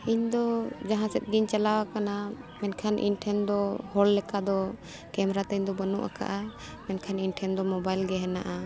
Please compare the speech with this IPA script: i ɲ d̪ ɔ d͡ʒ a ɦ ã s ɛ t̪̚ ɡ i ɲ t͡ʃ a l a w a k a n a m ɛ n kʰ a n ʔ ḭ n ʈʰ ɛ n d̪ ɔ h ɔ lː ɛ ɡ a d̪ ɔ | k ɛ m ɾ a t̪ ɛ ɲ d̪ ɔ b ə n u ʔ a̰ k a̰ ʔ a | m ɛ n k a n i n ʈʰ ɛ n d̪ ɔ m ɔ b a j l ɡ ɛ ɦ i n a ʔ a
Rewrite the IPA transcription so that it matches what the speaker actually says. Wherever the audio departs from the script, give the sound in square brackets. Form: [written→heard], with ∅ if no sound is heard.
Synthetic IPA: i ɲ d̪ ɔ d͡ʒ a ɦ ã s ɛ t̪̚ ɡ i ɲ t͡ʃ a l a w a k a n a m ɛ n kʰ a n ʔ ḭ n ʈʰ ɛ n d̪ ɔ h ɔ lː ɛ [ɡ→k] a d̪ ɔ | k ɛ m ɾ a t̪ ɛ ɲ d̪ ɔ b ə n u ʔ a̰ k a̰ ʔ a | m ɛ n [k→kʰ] a n i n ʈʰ ɛ n d̪ ɔ m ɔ b a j l ɡ ɛ ɦ [i→ɛ] n a ʔ a

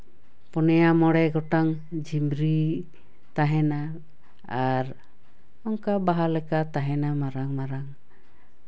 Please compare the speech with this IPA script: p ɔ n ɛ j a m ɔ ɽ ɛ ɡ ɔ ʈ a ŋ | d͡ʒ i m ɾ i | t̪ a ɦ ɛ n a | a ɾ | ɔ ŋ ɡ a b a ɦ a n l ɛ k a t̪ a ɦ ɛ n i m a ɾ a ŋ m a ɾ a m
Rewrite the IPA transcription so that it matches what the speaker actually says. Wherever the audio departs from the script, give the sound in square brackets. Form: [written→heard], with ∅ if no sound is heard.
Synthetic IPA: p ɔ n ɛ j a m ɔ ɽ ɛ ɡ ɔ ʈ a ŋ | d͡ʒ i m ɾ i | t̪ a ɦ ɛ n a | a ɾ | ɔ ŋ [ɡ→k] a b a ɦ a [n→∅] l ɛ k a t̪ a ɦ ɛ n [i→a] m a ɾ a ŋ m a ɾ a [m→ŋ]

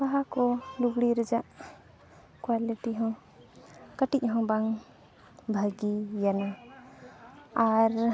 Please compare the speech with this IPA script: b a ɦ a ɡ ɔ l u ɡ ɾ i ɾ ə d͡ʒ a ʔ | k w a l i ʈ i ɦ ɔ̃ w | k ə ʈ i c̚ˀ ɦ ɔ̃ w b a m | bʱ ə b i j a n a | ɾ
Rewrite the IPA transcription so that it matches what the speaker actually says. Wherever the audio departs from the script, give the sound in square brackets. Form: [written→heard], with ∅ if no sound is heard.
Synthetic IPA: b a ɦ a [ɡ→k] ɔ l u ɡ [ɾ→ɽ] i ɾ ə d͡ʒ a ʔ | k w a l i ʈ i ɦ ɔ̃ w | k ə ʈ i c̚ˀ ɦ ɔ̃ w b a [m→ŋ] | bʱ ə [b→ɡ] i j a n a | ɾ

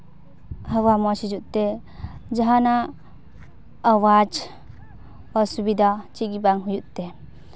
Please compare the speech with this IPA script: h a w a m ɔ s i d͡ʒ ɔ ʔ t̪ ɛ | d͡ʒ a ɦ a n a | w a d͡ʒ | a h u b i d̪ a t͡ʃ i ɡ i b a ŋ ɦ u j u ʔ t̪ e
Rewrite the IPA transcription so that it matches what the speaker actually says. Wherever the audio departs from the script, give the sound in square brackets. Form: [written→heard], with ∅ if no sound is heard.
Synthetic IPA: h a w a m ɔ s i d͡ʒ [ɔ→u] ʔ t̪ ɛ | d͡ʒ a ɦ a n a | w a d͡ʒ | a [h→s] u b i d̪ a t͡ʃ i ɡ i b a ŋ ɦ u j u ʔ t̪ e

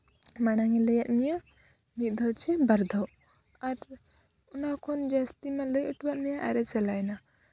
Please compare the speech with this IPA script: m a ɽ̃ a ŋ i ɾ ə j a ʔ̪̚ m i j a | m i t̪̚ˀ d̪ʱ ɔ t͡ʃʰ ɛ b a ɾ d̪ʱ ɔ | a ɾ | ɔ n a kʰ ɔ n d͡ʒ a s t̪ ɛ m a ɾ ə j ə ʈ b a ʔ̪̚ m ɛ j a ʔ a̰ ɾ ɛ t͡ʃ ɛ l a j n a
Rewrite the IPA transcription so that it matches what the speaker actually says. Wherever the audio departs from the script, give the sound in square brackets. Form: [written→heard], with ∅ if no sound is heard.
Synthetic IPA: m a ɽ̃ a ŋ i [ɾ→l] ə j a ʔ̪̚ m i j a | m i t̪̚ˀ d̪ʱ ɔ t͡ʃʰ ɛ b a ɾ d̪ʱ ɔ | a ɾ | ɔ n a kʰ ɔ n d͡ʒ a s t̪ [ɛ→i] m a [ɾ→l] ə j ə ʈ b a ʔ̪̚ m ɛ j a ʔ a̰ ɾ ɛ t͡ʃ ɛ l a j n a

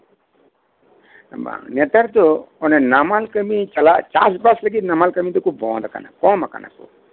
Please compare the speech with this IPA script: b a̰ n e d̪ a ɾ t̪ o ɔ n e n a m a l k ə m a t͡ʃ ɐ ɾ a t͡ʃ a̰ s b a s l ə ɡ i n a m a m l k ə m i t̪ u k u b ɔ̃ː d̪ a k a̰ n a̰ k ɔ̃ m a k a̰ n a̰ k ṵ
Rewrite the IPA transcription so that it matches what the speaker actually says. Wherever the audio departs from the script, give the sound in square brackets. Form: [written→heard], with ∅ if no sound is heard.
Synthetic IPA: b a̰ n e [d̪→t̪] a ɾ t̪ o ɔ n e n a m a l k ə m [a→i] t͡ʃ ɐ [ɾ→l] a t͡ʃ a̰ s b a s l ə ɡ i n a m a [m→∅] l k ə m i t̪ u k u b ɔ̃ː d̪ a k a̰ n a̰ k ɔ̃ m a k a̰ n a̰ k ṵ

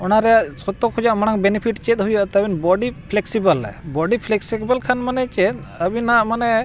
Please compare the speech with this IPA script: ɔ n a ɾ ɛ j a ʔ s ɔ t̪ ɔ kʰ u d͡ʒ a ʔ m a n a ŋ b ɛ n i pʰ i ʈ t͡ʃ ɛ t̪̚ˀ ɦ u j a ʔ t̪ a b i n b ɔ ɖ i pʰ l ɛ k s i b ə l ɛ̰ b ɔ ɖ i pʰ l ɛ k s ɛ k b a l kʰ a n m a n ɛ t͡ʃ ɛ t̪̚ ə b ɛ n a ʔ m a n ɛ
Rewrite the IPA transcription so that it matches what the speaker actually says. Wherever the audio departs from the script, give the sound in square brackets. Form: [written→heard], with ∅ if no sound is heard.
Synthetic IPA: ɔ n a ɾ ɛ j a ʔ s ɔ t̪ ɔ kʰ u d͡ʒ a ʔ m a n a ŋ b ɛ n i pʰ i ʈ t͡ʃ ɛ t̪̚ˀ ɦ u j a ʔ t̪ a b i n b ɔ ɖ i pʰ l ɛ k s i b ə l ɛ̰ b ɔ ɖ i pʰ l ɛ k s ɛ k b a l kʰ a n m a n ɛ t͡ʃ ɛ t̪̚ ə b [ɛ→i] n a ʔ m a n ɛ

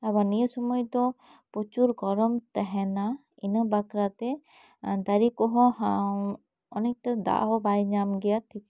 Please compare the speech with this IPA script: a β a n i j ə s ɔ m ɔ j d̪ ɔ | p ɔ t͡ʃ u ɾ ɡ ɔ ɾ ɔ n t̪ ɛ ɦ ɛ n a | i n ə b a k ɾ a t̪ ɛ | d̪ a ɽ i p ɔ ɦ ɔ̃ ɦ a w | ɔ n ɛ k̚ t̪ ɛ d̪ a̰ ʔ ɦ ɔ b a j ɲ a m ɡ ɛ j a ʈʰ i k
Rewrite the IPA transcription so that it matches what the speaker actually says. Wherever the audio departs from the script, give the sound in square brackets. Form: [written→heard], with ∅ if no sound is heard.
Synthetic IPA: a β a n i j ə s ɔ m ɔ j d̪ ɔ | p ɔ t͡ʃ u ɾ ɡ ɔ ɾ ɔ [n→m] t̪ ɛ ɦ ɛ n a | i n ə b a k ɾ a t̪ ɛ | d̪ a [ɽ→ɾ] i [p→k] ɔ ɦ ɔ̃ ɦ a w | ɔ n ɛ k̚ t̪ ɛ d̪ a̰ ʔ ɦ ɔ b a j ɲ a m ɡ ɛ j a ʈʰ i k

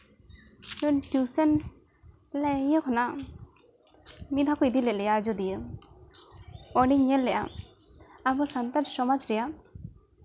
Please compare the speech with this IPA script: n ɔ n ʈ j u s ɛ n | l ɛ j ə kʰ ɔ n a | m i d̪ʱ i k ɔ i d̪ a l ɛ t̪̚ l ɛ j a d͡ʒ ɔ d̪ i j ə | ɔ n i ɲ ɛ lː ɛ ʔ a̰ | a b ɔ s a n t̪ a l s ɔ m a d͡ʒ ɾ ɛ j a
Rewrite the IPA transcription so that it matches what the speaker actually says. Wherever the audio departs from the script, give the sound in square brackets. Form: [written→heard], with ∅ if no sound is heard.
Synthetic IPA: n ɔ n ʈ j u s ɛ n | l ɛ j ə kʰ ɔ n a | m i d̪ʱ [i→a] k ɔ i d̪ [a→i] l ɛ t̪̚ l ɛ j a d͡ʒ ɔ d̪ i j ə | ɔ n i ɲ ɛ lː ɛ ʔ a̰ | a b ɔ s a n t̪ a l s ɔ m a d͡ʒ ɾ ɛ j a

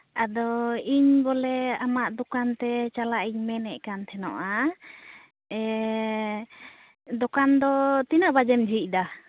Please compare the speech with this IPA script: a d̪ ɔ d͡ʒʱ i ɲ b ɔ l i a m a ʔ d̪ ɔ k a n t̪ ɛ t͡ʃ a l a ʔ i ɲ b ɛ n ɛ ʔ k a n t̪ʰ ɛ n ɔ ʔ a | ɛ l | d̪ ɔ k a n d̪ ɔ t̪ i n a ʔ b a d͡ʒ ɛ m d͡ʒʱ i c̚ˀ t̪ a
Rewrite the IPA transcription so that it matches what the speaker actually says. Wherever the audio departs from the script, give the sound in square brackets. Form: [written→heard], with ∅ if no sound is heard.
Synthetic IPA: a d̪ ɔ [d͡ʒʱ→∅] i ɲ b ɔ l [i→ɛ] a m a ʔ d̪ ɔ k a n t̪ ɛ t͡ʃ a l a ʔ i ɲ [b→m] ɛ n ɛ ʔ k a n t̪ʰ ɛ n ɔ ʔ a | ɛ [l→∅] | d̪ ɔ k a n d̪ ɔ t̪ i n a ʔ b a d͡ʒ ɛ m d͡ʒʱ i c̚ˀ [t̪→d̪] a

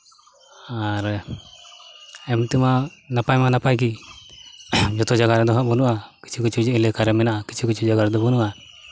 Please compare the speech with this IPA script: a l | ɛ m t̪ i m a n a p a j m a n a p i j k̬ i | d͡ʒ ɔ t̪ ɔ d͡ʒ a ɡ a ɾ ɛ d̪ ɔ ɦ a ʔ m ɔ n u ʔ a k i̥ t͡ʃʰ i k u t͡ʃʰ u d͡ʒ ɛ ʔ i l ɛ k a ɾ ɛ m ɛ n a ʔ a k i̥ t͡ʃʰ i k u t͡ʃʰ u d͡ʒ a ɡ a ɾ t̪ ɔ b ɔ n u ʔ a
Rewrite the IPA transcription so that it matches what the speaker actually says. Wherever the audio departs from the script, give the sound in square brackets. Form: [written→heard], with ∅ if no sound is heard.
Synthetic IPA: a [l→ɾ] | ɛ m t̪ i m a n a p a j m a n a p [i→a] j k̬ i | d͡ʒ ɔ t̪ ɔ d͡ʒ a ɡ a ɾ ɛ d̪ ɔ ɦ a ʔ [m→b] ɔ n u ʔ a k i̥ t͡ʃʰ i k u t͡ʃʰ u d͡ʒ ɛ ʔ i l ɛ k a ɾ ɛ m ɛ n a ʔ a k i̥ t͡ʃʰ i k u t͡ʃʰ u d͡ʒ a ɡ a ɾ [t̪→d̪] ɔ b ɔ n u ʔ a

